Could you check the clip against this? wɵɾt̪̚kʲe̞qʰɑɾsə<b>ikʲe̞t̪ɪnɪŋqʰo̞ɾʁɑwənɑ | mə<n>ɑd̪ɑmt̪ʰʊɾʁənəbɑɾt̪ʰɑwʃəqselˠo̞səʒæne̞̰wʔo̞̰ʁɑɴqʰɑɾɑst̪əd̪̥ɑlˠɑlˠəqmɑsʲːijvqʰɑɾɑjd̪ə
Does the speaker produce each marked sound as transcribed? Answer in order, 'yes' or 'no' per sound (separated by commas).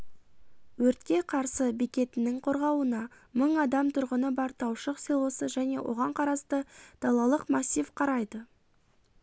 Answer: yes, no